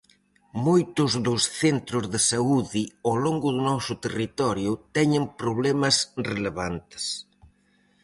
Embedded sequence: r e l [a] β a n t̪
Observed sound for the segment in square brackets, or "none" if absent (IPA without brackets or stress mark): e